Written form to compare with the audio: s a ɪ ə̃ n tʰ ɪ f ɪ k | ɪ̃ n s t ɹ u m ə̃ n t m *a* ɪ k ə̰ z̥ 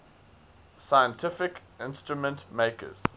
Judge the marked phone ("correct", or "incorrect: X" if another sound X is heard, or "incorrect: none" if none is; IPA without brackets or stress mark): incorrect: e